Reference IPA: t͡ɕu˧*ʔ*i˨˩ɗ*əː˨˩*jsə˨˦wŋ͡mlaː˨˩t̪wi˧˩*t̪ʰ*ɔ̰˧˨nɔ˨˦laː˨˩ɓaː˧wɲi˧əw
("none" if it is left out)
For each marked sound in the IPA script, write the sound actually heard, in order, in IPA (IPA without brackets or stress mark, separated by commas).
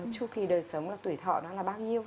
k, əː˨˩, t̪ʰ